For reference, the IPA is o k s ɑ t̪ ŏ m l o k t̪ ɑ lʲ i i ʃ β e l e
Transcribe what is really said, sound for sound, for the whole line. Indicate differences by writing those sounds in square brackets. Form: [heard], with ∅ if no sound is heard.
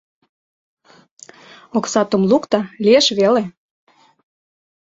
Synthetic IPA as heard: o k s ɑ t̪ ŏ m l [u] k t̪ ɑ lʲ i [e] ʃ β e l e